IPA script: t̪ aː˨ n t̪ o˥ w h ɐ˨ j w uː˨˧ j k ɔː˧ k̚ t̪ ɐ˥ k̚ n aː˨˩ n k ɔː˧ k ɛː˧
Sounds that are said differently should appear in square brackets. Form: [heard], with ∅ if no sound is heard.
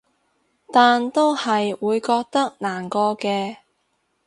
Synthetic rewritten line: t̪ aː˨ n t̪ o˥ w h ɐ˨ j w uː˨˧ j k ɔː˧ k̚ t̪ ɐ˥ k̚ n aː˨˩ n k ɔː˧ k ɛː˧